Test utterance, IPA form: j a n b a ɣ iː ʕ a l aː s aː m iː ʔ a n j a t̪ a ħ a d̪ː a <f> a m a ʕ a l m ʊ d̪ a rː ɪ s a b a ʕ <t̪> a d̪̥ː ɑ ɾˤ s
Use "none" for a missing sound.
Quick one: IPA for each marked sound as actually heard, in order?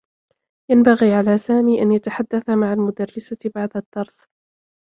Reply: θ, d̪

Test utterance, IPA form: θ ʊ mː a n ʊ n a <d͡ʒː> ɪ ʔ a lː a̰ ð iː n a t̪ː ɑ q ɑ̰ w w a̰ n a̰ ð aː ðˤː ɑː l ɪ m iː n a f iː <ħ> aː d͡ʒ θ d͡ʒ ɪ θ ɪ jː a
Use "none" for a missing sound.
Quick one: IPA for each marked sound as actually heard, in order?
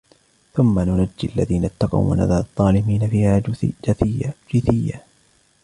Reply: d͡ʒː, h

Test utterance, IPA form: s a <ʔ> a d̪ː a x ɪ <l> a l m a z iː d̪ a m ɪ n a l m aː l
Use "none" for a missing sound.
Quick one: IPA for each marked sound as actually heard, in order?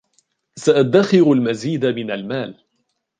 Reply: ʔ, ɾ

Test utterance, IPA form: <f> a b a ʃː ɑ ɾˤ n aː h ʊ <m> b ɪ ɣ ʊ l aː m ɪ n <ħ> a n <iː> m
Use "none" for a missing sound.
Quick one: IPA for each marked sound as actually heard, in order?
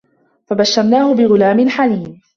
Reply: f, none, ħ, iː

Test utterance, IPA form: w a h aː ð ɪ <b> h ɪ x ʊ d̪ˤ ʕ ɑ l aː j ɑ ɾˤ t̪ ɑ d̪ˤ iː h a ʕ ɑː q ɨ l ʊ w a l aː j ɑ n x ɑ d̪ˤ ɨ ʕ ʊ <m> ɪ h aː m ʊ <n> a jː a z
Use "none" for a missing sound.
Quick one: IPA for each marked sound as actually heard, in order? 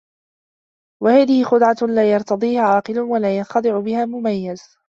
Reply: none, b, m

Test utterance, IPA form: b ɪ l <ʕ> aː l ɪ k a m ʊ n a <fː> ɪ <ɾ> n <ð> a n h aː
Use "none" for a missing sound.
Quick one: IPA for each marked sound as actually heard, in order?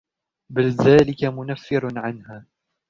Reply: ð, fː, ɾ, ʕ

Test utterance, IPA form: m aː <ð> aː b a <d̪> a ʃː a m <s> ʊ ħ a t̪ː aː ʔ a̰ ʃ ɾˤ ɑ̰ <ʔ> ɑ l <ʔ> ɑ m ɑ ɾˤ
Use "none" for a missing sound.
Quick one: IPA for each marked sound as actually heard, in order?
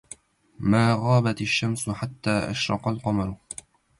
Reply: ɣ, t̪, s, q, q

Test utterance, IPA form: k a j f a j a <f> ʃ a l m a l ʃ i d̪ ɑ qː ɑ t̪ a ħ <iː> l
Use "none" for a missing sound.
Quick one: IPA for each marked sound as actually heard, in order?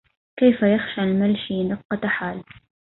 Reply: x, aː

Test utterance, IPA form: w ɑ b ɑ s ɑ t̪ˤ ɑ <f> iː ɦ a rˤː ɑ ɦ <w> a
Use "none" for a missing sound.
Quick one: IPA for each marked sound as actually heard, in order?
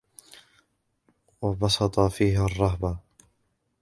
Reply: f, b

